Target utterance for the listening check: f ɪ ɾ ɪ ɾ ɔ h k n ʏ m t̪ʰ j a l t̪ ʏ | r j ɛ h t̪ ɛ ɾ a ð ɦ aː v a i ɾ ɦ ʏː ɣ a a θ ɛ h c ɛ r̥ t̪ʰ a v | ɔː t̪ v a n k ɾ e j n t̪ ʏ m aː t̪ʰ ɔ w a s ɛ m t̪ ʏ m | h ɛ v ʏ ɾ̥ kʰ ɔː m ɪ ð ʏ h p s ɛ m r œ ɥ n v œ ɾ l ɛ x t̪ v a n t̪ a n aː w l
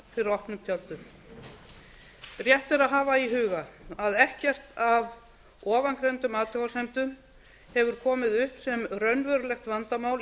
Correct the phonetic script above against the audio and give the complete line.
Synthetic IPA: f ɪ ɾ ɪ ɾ ɔ h p n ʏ m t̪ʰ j a l t̪ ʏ | r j ɛ h t̪ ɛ ɾ a ð ɦ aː v a i ɦ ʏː ɣ a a ð ɛ h c ɛ r̥ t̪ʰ a v | ɔː v a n k ɾ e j n t̪ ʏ m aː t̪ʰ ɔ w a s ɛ m t̪ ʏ m | h ɛ v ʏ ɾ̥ kʰ ɔː m ɪ ð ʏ h p s ɛ m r œ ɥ n v œ ɾ l ɛ x t̪ v a n t̪ a m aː w l